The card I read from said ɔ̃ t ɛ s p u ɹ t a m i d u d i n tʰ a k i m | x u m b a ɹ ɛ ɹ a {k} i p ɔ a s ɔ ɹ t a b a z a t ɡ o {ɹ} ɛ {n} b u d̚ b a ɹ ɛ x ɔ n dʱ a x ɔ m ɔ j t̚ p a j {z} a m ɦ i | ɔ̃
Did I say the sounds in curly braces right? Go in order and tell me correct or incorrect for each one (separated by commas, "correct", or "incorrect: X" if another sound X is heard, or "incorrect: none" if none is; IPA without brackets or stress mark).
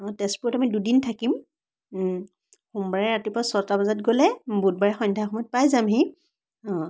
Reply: incorrect: t, incorrect: l, incorrect: none, correct